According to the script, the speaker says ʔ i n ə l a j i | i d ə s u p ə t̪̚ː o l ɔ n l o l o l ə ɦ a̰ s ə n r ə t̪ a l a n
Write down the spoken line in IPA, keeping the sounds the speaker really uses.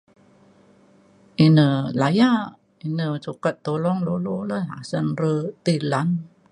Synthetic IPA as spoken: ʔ i n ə l a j a | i n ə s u k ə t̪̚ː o l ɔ ŋ l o l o l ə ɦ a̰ s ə n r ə t̪ i l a n